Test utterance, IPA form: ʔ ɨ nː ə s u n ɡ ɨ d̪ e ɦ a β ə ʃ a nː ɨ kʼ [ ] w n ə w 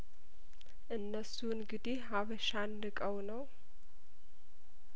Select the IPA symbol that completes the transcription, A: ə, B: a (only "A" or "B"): A